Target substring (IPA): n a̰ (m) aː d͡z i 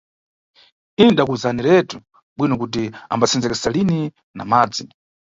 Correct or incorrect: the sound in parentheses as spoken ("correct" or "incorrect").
correct